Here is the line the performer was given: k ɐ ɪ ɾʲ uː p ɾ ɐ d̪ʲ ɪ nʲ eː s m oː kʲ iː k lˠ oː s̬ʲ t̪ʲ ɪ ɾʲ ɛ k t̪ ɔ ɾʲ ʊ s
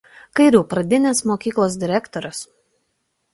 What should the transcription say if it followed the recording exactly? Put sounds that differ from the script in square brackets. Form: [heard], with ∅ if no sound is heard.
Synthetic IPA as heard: k ɐ ɪ ɾʲ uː p ɾ ɐ d̪ʲ ɪ nʲ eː s m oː kʲ iː k lˠ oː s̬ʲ [d̪ʲ] ɪ ɾʲ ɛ k t̪ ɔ ɾʲ ʊ s